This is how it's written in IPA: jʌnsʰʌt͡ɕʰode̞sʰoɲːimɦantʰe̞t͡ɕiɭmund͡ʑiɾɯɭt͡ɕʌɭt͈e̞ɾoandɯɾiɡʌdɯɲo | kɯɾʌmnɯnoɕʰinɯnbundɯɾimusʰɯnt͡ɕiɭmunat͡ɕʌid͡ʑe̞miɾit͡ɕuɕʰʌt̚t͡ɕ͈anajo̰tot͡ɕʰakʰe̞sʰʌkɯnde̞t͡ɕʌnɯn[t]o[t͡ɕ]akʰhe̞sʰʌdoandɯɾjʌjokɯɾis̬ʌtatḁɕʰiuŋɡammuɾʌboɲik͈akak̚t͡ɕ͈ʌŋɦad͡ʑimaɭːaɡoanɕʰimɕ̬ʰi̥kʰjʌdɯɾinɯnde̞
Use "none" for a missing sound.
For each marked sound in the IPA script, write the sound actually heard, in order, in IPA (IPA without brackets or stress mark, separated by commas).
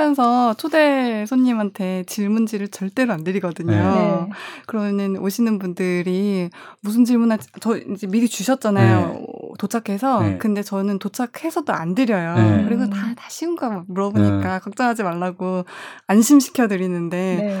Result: t, t͡ɕʰ